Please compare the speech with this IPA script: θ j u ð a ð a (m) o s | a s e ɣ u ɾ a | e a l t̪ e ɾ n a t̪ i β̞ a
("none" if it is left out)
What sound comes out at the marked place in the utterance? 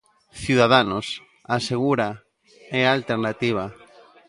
n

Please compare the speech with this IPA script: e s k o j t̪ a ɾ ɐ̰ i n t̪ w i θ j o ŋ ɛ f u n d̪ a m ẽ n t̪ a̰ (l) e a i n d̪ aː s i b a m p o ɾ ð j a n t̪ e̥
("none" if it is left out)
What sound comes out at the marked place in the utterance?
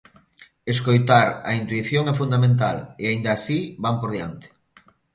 l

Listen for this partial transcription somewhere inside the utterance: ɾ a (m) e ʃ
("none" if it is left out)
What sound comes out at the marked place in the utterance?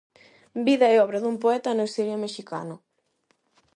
m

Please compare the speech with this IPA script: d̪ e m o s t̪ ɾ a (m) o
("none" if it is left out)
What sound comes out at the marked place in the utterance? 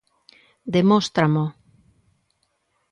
m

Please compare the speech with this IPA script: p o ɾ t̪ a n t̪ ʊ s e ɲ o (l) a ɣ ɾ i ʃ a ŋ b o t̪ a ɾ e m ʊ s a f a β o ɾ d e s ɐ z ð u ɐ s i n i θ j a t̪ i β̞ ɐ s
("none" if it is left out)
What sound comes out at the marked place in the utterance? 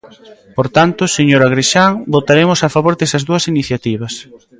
ɾ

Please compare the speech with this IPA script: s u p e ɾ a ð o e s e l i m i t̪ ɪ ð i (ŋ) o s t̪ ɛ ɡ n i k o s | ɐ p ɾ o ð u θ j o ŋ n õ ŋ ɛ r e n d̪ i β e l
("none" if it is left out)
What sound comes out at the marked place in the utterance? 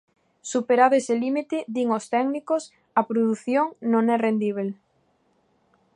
ŋ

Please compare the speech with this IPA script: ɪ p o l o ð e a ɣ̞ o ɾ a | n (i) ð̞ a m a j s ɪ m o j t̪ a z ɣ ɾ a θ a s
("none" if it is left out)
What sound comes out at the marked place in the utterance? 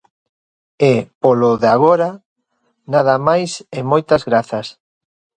a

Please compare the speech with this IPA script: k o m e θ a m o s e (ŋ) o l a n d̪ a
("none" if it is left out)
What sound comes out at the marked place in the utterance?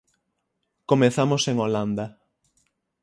ŋ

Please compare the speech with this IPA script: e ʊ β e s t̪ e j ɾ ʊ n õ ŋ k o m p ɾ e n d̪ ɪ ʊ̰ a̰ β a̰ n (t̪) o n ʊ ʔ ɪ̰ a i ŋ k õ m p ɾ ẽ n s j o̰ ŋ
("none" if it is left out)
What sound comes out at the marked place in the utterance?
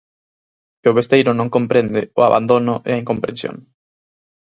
d̪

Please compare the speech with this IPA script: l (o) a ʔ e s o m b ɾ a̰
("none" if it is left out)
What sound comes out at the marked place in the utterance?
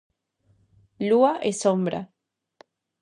u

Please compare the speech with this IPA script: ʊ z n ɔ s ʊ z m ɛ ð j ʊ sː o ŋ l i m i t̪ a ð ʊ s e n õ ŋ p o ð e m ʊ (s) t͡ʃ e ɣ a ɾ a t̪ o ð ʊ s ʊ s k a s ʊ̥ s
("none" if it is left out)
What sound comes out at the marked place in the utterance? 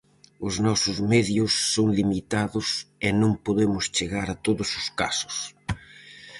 s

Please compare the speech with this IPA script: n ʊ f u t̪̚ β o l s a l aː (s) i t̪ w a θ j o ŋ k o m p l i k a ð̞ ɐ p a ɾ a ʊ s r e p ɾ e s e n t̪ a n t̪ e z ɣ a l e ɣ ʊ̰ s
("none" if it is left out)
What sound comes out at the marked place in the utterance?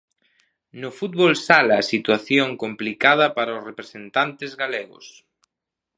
s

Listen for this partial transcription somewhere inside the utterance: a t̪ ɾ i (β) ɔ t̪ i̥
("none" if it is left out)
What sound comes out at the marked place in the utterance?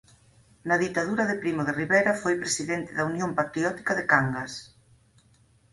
none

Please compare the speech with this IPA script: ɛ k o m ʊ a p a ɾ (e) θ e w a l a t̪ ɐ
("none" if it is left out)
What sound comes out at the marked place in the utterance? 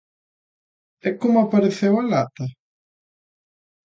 e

